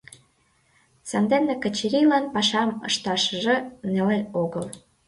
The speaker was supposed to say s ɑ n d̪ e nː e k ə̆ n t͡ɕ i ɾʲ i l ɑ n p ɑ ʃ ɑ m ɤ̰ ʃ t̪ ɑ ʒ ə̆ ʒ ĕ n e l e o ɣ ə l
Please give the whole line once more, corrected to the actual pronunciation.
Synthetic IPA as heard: s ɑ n d̪ e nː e k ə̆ t͡ɕ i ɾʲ i l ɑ n p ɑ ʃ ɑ m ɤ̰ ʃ t̪ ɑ ʃ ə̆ ʒ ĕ n e l e o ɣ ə l

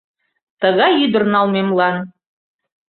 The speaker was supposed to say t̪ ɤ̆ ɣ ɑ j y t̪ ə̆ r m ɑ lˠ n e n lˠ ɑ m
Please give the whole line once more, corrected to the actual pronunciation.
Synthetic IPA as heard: t̪ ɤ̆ ɣ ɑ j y d̪ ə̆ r n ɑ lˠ m e m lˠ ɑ n

